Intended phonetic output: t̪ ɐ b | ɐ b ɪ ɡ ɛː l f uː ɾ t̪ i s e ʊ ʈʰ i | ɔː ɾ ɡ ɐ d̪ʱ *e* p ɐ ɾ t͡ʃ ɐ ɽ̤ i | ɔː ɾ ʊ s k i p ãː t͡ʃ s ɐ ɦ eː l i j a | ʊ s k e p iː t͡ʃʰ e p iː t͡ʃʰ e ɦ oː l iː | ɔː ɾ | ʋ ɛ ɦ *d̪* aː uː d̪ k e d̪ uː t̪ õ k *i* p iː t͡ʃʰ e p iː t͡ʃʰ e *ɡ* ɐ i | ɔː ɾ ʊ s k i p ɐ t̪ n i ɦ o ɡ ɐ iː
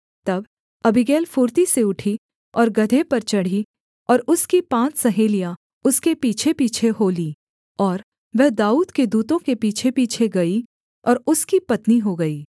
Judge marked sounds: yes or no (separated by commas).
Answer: yes, yes, no, yes